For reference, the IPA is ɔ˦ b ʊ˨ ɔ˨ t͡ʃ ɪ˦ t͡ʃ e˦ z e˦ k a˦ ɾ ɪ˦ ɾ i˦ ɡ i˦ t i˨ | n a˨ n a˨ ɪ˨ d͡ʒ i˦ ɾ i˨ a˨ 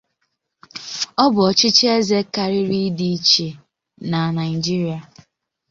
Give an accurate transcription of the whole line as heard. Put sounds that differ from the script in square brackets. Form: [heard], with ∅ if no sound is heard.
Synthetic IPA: ɔ˦ b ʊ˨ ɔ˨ t͡ʃ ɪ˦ t͡ʃ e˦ z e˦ k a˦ ɾ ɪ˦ ɾ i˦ [d] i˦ [t͡ʃ] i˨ | n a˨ n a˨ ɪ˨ d͡ʒ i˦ ɾ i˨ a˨